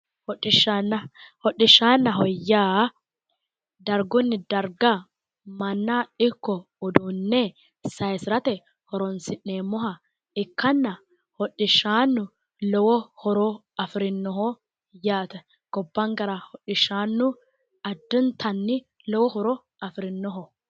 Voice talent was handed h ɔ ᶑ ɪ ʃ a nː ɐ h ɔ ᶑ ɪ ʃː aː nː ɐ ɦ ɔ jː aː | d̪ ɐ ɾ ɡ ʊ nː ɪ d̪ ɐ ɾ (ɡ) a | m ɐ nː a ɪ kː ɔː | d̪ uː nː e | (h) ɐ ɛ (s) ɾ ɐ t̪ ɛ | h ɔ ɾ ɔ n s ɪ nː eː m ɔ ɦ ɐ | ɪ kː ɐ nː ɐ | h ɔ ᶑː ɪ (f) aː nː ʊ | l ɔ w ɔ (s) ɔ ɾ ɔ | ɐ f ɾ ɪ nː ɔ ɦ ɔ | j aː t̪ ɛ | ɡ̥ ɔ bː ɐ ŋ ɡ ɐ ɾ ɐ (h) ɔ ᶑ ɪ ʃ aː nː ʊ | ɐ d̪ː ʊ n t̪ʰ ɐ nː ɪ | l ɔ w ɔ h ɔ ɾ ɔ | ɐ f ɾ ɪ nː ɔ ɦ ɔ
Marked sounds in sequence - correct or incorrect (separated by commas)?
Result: correct, incorrect, correct, incorrect, incorrect, correct